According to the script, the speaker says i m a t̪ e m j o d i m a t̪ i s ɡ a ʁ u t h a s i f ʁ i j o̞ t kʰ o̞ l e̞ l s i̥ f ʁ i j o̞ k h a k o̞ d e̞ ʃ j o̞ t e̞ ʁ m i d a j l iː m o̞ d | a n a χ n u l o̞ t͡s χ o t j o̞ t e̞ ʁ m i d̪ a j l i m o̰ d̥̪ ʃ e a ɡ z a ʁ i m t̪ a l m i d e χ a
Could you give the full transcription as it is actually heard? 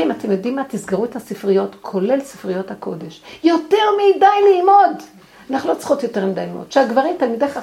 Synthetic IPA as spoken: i m a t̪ e m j o d i m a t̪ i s ɡ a ʁ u t h a s i f ʁ i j o̞ t kʰ o̞ l e̞ l s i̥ f ʁ i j o̞ t h a k o̞ d e̞ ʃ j o̞ t e̞ ʁ m i d a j l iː m o̞ d | a n a χ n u l o̞ t͡s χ o t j o̞ t e̞ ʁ m i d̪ a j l i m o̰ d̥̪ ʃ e a ɡ v a ʁ i m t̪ a l m i d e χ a